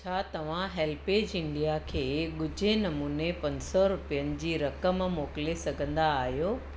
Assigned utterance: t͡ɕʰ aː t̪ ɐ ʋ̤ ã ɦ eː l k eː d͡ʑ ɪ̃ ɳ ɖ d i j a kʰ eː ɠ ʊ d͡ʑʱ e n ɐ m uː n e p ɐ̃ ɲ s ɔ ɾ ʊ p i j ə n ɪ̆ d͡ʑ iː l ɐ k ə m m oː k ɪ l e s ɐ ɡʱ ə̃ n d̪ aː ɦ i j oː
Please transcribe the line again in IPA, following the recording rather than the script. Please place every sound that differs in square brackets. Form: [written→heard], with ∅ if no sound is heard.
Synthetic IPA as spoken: t͡ɕʰ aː t̪ ɐ ʋ̤ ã ɦ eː l [k→p] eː d͡ʑ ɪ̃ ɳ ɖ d i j a kʰ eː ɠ ʊ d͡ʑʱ e n ɐ m uː n e p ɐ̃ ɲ s ɔ ɾ ʊ p i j ə n ɪ̆ d͡ʑ iː [l→ɾ] ɐ k ə m m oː k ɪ l e s ɐ ɡʱ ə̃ n d̪ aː ɦ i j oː